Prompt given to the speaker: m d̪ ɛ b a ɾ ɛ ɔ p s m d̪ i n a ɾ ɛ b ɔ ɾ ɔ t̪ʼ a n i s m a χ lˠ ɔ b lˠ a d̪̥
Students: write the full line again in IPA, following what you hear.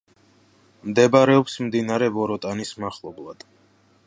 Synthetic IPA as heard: m d̪ ɛ b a ɾ ɛ ɔ p s m d̪ i n a ɾ ɛ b ɔ ɾ ɔ t̪ʼ a n i s m a χ lˠ ɔ b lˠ a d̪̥